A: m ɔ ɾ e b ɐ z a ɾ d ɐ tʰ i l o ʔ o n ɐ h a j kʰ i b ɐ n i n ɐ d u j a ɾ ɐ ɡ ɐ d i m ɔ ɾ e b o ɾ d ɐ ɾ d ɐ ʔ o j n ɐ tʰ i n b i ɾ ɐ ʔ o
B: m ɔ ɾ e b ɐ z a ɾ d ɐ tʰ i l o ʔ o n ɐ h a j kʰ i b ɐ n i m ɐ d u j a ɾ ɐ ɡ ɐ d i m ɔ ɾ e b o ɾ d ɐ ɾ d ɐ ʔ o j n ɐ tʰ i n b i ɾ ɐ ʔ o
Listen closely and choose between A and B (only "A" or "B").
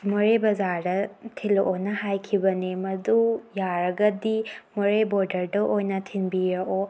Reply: B